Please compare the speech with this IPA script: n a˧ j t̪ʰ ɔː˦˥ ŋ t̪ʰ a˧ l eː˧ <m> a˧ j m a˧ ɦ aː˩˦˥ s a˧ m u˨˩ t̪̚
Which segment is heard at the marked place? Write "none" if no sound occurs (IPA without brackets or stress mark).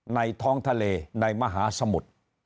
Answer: n